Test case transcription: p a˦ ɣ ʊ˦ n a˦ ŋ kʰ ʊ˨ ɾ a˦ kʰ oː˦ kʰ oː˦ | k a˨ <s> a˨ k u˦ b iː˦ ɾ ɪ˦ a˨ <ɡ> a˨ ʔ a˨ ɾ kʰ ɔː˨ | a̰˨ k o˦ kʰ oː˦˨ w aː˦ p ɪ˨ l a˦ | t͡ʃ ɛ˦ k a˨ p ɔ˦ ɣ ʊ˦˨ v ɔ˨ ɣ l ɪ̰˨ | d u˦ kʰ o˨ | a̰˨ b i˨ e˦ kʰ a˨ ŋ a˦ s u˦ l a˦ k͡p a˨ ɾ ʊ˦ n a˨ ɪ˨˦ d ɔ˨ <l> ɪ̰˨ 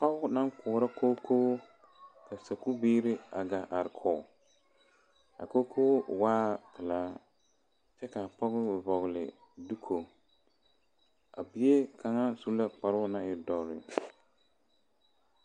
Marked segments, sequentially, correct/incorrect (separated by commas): correct, correct, incorrect